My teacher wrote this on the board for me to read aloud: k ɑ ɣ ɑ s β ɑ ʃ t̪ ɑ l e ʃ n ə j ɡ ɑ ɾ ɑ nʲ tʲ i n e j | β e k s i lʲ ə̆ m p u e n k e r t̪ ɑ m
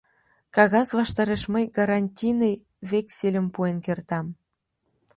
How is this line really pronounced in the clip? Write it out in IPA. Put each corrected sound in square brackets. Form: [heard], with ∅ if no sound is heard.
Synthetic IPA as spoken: k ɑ ɣ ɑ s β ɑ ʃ t̪ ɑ [ɾ] e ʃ [m] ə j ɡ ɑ ɾ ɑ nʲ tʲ i n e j | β e k s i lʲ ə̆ m p u e n k e r t̪ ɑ m